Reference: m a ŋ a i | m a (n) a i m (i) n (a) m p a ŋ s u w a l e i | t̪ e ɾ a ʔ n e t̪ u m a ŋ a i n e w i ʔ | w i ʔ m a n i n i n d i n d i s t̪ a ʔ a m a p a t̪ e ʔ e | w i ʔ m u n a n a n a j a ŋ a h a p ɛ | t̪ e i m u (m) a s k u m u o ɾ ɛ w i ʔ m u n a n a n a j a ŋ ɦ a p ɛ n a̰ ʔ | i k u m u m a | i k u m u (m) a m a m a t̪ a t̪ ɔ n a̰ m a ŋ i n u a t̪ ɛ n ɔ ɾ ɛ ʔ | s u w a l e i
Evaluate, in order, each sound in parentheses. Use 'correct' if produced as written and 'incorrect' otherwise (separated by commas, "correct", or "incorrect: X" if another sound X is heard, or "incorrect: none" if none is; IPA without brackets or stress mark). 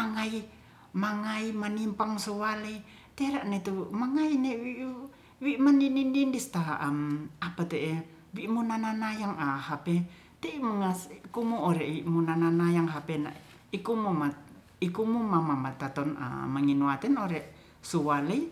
incorrect: ŋ, incorrect: a, incorrect: i, incorrect: ŋ, correct